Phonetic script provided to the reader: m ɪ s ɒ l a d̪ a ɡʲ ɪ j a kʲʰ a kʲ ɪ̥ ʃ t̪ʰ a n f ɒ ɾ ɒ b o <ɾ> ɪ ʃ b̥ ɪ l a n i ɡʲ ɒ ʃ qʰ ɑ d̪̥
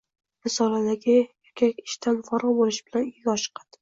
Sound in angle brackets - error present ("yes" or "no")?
yes